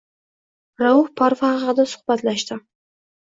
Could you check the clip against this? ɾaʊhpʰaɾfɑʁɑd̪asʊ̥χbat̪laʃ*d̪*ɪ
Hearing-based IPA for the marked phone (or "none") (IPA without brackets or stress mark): t̪